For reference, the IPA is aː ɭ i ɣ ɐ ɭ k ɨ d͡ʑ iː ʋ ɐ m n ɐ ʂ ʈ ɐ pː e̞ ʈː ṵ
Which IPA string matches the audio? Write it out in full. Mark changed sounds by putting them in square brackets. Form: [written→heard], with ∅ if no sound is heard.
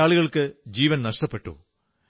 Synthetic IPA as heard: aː ɭ i ɣ ɐ ɭ k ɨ d͡ʑ iː ʋ ɐ [m→n] n ɐ ʂ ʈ ɐ pː e̞ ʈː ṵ